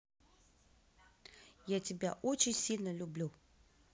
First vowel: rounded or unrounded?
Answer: unrounded